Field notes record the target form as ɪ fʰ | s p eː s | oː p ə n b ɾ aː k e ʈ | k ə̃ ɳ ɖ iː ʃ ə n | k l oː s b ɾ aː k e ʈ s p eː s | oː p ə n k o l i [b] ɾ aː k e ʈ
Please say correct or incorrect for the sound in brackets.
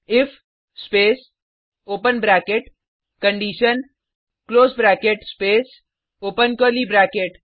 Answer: correct